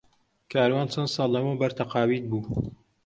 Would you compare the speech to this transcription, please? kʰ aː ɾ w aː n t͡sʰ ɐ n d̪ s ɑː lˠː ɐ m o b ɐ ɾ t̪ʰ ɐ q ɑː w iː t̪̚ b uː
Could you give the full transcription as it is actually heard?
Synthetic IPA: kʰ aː ɾ w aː n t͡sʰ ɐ n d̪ s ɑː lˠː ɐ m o b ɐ ɾ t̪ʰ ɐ q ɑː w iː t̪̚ b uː